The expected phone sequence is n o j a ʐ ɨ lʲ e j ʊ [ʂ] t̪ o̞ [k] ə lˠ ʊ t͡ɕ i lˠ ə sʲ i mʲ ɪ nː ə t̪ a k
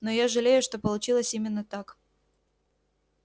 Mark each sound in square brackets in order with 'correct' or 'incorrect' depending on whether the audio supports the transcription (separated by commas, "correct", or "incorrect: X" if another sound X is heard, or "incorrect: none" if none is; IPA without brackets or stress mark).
correct, incorrect: p